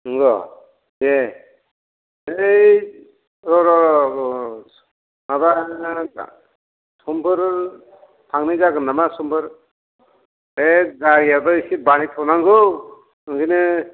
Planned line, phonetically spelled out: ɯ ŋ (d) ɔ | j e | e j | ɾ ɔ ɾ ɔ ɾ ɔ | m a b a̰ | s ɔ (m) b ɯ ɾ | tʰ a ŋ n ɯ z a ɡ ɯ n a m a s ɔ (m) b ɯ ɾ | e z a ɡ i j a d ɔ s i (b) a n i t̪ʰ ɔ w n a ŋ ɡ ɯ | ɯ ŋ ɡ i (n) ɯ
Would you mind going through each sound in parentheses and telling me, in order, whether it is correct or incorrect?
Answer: incorrect: ɡ, correct, correct, correct, correct

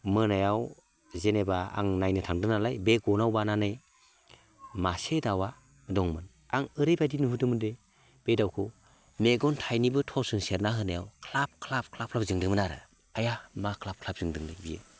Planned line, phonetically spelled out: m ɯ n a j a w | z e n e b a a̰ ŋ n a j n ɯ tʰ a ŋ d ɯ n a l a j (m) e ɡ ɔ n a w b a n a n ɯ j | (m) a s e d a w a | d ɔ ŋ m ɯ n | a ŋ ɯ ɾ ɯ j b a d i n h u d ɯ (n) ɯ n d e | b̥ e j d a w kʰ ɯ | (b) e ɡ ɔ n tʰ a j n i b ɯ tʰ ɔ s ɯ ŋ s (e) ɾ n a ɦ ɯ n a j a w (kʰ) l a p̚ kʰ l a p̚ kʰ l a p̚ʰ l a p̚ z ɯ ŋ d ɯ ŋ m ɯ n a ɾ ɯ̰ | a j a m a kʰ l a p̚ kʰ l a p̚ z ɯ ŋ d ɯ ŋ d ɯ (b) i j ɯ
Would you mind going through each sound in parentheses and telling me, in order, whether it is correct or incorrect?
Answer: incorrect: b, correct, incorrect: m, incorrect: m, correct, correct, correct

